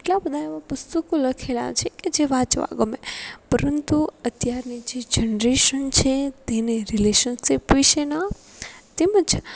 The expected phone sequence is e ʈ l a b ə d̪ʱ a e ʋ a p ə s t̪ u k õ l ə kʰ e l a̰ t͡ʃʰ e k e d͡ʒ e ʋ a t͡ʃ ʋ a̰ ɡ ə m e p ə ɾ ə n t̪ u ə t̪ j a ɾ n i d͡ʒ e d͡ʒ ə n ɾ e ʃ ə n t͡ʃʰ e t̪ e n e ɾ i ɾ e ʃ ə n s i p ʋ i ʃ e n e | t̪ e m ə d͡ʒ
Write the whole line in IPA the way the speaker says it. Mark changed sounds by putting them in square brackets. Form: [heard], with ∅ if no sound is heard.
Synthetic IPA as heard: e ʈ l a b ə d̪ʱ a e ʋ a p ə s t̪ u k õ l ə kʰ e l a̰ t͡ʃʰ e k e d͡ʒ e ʋ a t͡ʃ ʋ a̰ ɡ ə m e p ə ɾ ə n t̪ u ə t̪ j a ɾ n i d͡ʒ e d͡ʒ ə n ɾ e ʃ ə n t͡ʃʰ e t̪ e n e ɾ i [l] e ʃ ə n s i p ʋ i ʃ e n [a] | t̪ e m ə d͡ʒ